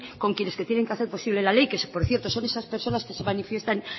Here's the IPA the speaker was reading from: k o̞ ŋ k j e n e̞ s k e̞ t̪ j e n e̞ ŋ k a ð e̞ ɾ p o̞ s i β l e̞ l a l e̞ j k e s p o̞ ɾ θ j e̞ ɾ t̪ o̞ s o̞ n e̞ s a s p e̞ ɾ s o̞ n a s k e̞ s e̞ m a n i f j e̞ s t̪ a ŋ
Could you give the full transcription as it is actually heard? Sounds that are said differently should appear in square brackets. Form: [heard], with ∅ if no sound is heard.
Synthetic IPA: k o̞ ŋ k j e n e̞ s k e̞ t̪ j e n e̞ ŋ k a [θ] e̞ ɾ p o̞ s i β l e̞ l a l e̞ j k e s p o̞ ɾ θ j e̞ ɾ t̪ o̞ s o̞ n e̞ s a s p e̞ ɾ s o̞ n a s k e̞ s e̞ m a n i f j e̞ s t̪ a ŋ